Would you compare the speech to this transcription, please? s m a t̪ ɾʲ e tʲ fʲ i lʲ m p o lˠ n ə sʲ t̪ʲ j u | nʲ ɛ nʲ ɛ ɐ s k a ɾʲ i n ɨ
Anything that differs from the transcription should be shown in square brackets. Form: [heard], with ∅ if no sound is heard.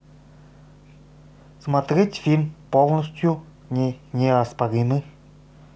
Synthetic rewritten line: s m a t̪ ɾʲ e tʲ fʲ i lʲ m p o lˠ n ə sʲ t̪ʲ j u | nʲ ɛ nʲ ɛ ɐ s [p] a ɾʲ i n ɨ